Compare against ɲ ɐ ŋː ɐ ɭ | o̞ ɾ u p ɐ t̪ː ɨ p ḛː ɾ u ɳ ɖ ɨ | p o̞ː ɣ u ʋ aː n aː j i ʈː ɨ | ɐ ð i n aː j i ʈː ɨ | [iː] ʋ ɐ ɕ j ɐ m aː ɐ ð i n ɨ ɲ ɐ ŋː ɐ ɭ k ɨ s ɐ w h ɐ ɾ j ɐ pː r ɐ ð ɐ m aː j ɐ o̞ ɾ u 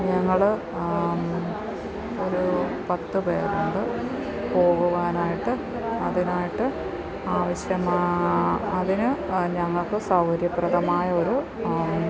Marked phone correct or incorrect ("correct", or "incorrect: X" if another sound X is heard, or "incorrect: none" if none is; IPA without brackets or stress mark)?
incorrect: aː